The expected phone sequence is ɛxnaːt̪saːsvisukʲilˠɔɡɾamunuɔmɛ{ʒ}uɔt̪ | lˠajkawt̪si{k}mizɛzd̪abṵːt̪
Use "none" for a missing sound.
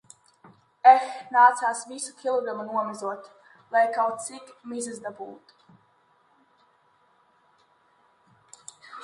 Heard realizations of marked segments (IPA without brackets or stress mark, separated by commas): z, k